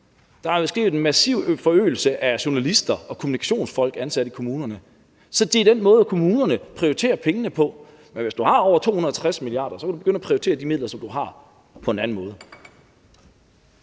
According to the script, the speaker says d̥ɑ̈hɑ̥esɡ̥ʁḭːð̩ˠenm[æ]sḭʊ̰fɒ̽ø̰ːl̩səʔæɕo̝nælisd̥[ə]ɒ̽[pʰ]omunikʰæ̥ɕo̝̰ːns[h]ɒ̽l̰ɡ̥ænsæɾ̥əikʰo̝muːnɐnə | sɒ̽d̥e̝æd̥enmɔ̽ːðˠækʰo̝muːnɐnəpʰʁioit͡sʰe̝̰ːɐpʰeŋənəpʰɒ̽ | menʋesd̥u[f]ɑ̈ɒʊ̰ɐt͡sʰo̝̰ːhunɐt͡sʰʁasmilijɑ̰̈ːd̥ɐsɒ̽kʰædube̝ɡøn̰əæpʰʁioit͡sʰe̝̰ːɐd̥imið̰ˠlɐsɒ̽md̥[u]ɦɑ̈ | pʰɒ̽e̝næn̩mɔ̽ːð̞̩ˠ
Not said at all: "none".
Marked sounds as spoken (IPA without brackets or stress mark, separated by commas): æ, ɐ, kʰ, f, h, u